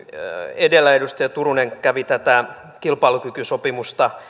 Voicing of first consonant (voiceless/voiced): voiced